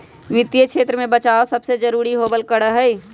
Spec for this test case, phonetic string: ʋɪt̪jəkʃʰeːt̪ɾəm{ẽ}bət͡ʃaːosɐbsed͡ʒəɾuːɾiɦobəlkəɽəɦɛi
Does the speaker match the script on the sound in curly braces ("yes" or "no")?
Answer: yes